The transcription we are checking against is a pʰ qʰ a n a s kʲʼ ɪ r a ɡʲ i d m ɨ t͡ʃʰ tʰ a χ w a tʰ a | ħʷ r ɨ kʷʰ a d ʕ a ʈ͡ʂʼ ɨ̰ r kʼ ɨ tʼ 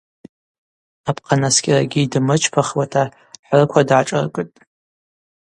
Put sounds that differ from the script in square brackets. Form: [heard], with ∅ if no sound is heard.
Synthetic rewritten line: a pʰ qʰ a n a s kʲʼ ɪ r a ɡʲ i d m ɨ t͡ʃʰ [pʰ] a χ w a tʰ a | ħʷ r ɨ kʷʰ a d ʕ a ʈ͡ʂʼ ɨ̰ r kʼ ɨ tʼ